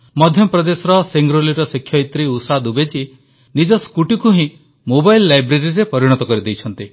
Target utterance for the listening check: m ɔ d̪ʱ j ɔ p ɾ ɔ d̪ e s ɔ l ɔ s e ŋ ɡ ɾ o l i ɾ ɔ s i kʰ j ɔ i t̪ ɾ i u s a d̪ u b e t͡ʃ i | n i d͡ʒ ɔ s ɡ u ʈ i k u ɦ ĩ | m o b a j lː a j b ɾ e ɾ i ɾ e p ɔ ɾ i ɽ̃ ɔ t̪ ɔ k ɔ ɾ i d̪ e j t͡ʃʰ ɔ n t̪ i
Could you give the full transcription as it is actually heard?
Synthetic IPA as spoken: m ɔ d̪ʱ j ɔ p ɾ ɔ d̪ e s ɔ ɾ ɔ s e ŋ ɡ ɾ o l i ɾ ɔ s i kʰ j ɔ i t̪ ɾ i u s a d̪ u b e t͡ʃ i | n i d͡ʒ ɔ s k u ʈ i k u ɦ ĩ | m o b a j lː a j b ɾ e ɾ i ɾ e p ɔ ɾ i ɽ̃ ɔ t̪ ɔ k ɔ ɾ i d̪ e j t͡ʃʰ ɔ n t̪ i

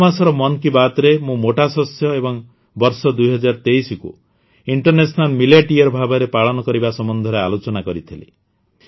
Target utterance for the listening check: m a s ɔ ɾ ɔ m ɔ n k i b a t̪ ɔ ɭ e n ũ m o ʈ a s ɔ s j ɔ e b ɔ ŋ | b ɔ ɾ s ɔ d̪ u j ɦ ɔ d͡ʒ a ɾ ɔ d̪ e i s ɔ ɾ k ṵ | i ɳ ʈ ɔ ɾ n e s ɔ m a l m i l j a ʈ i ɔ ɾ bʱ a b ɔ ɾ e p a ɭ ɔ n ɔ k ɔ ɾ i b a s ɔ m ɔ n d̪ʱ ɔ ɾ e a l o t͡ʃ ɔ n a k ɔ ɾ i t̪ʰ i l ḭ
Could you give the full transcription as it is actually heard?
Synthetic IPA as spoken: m a s ɔ ɾ ɔ m ɔ n k i b a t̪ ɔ ɾ e m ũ m o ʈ a s ɔ s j ɔ e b ɔ ŋ | b ɔ ɾ s ɔ d̪ u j ɦ ɔ d͡ʒ a ɾ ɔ t̪ e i s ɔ k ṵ | i ɳ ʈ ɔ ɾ n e s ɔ n a l m i l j a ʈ i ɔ ɾ bʱ a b ɔ ɾ e p a ɭ ɔ n ɔ k ɔ ɾ i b a s ɔ m ɔ n d̪ʱ ɔ ɾ e a l o t͡ʃ ɔ n a k ɔ ɾ i t̪ʰ i l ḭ

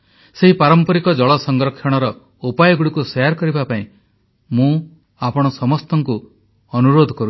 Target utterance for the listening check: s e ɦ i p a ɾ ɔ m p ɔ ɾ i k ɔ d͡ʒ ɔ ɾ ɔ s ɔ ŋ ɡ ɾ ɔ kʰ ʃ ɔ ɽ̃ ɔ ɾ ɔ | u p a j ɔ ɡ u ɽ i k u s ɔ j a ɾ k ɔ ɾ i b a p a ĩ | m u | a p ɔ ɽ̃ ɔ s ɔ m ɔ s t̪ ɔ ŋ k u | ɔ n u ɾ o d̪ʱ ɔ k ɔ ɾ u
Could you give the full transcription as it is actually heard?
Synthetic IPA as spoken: s e ɦ i p a ɾ ɔ m p ɔ ɾ i k ɔ d͡ʒ ɔ ɭ ɔ s ɔ ŋ ɡ ɾ ɔ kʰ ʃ ɔ ɽ̃ ɔ ɾ ɔ | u p a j ɔ ɡ u ɽ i k u s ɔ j a ɾ k ɔ ɾ i b a p a ĩ | m ũ | a p ɔ ɽ̃ ɔ s ɔ m ɔ s t̪ ɔ ŋ k u | ɔ n u ɾ o d̪ʱ ɔ k ɔ ɾ u

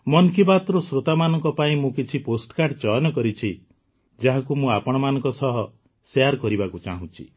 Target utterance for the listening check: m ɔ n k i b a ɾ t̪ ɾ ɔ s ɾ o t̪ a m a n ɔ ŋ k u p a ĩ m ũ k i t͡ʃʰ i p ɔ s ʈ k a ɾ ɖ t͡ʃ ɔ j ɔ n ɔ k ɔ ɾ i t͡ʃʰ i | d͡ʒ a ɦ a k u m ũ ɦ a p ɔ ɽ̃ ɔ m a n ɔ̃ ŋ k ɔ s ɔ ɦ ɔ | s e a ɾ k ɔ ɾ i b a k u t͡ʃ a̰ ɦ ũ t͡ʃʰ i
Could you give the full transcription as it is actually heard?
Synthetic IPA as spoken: m ɔ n k i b a t̪ ɾ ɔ s ɾ o t̪ a m a n ɔ ŋ k ɔ p a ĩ m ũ k i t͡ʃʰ i p o s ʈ k a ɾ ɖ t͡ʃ ɔ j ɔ n ɔ k ɔ ɾ i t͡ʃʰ i | d͡ʒ a ɦ a k u m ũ a p ɔ ɽ̃ ɔ m a n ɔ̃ ŋ k ɔ s ɔ ɦ ɔ | s e a ɾ k ɔ ɾ i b a k u t͡ʃ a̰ ɦ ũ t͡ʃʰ i

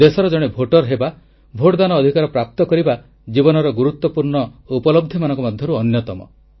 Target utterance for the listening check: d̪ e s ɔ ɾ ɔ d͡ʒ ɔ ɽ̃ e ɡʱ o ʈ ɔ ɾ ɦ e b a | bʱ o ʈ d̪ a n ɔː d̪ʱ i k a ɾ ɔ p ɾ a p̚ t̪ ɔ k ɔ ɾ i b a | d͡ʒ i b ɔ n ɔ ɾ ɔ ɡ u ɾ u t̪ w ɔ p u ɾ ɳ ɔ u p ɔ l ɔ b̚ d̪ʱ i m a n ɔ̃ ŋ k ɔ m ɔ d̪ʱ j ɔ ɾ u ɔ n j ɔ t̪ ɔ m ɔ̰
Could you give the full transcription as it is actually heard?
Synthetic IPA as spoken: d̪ e s ɔ ɾ ɔ d͡ʒ ɔ ɽ̃ e bʱ o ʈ ɔ ɾ ɦ e b a | bʱ o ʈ d̪ a n ɔː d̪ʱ i k a ɾ ɔ p ɾ a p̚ t̪ ɔ k ɔ ɾ i b a | d͡ʒ i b ɔ n ɔ ɾ ɔ ɡ u ɾ u t̪ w ɔ p u ɾ ɳ ɔ u p ɔ l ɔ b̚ d̪ʱ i m a n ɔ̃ ŋ k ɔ m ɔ d̪ʱ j ɔ ɾ u ɔ n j ɔ t̪ ɔ m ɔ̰

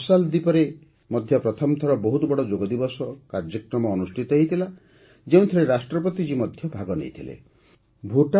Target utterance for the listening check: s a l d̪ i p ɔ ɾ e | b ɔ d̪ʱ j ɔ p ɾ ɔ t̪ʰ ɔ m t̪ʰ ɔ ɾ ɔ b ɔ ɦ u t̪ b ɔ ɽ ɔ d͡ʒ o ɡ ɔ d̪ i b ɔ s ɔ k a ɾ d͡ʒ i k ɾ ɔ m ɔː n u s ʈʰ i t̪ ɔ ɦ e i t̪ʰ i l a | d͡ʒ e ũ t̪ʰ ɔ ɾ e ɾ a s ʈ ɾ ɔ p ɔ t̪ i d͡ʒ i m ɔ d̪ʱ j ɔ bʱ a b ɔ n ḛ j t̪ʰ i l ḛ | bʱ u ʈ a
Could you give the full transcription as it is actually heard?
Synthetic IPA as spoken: s a l d̪ i p ɔ ɾ e | m ɔ d̪ʱ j ɔ p ɾ ɔ t̪ʰ ɔ m t̪ʰ ɔ ɾ ɔ b ɔ ɦ u t̪ b ɔ ɽ ɔ d͡ʒ o ɡ ɔ d̪ i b ɔ s ɔ k a ɾ d͡ʒ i k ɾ ɔ m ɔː n u s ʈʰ i t̪ ɔ ɦ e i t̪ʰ i l a | d͡ʒ e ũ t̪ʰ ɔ ɾ e ɾ a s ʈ ɾ ɔ p ɔ t̪ i d͡ʒ i m ɔ d̪ʱ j ɔ bʱ a ɡ ɔ n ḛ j t̪ʰ i l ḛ | bʱ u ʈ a

